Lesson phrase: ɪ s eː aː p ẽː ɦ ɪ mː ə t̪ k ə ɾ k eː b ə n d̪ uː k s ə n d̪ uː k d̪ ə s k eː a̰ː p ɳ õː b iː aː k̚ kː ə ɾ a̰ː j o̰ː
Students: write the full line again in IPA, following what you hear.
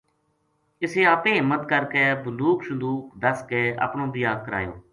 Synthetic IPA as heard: ɪ s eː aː p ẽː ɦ ɪ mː ə t̪ k ə ɾ k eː b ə n d̪ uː k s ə n d̪ uː k d̪ ə s k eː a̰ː p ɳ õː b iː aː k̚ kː ə ɾ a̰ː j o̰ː